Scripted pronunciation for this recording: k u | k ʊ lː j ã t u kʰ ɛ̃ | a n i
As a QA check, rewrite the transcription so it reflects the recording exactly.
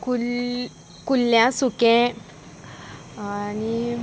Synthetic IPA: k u | k u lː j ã s u k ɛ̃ | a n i